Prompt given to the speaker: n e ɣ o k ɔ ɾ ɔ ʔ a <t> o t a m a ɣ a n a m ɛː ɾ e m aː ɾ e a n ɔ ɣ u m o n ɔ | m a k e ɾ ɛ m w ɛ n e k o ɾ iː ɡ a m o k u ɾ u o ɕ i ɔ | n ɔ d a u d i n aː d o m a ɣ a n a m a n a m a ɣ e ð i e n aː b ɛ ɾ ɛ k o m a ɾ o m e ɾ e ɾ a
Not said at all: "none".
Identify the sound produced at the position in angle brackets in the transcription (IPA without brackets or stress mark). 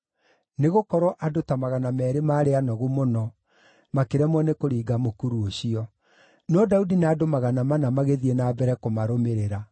d